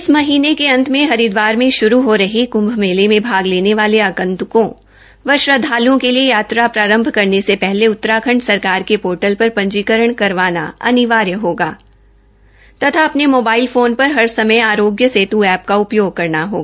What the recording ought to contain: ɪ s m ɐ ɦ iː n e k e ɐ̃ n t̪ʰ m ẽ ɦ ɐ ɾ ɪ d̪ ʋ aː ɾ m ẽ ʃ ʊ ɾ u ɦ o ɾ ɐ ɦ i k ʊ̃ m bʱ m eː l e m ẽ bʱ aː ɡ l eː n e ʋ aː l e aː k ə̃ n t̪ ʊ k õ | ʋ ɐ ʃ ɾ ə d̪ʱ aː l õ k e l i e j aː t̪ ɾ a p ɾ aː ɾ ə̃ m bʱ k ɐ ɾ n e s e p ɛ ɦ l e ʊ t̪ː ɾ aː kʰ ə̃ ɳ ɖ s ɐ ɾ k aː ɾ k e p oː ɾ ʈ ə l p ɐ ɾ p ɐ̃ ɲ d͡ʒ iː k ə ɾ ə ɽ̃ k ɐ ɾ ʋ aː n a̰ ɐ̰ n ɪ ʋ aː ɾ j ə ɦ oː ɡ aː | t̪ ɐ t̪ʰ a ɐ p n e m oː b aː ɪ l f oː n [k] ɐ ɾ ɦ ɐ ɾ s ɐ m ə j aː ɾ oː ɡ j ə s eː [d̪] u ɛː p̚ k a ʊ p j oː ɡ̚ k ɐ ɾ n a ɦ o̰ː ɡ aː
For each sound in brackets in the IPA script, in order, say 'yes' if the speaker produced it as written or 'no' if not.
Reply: no, no

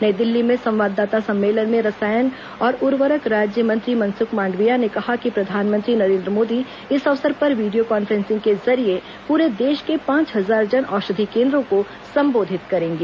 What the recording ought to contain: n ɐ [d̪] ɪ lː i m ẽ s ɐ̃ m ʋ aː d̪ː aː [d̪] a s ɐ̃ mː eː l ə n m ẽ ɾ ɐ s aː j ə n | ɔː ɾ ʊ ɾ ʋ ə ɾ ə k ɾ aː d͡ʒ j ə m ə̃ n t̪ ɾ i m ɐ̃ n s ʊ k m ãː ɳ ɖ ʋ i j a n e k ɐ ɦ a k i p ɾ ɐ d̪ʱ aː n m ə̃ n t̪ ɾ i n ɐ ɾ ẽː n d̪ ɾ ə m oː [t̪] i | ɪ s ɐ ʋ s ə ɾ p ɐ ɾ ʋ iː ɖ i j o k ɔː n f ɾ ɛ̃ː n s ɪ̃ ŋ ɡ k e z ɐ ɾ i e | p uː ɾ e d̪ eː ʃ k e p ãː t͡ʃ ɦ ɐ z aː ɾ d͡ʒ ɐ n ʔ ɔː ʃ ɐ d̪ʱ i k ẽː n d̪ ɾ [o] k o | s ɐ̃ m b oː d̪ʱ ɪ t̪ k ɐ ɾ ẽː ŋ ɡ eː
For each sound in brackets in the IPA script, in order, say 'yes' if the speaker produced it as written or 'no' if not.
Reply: yes, no, no, no

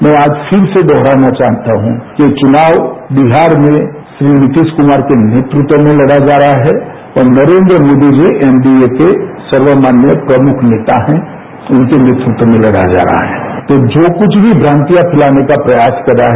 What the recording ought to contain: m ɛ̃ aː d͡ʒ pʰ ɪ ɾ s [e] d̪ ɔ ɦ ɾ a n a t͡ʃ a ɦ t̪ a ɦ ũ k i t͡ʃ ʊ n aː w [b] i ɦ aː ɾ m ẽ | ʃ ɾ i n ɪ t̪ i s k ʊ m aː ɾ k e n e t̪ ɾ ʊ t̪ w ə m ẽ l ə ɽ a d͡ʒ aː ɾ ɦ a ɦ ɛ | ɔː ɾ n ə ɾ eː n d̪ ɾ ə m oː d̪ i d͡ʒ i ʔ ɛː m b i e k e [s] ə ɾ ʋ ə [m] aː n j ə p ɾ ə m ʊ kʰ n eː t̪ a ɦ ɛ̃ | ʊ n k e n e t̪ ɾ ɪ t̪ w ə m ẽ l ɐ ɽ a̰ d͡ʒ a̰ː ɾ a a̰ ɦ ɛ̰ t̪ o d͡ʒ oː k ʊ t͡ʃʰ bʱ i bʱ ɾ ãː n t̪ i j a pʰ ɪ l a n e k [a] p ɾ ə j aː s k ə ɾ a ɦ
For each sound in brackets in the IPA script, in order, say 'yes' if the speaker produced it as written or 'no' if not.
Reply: yes, yes, yes, yes, yes

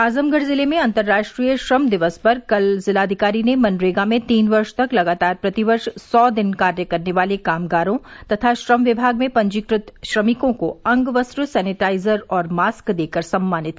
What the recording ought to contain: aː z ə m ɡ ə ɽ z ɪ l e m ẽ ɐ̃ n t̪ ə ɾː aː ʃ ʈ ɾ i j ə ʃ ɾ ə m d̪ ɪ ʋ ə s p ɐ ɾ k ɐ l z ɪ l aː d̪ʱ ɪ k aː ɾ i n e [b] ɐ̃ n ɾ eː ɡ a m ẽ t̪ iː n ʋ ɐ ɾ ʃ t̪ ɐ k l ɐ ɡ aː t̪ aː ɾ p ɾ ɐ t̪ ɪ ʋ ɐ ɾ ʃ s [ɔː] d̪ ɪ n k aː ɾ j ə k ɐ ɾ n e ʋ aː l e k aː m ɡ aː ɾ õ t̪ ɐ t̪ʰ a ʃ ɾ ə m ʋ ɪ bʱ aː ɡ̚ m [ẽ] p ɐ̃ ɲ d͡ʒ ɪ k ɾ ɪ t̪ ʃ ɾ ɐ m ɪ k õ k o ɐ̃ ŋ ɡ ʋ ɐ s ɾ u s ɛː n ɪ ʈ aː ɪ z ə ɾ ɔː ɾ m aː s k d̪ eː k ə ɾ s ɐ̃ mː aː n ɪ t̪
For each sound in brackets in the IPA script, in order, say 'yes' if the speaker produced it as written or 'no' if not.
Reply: no, yes, yes

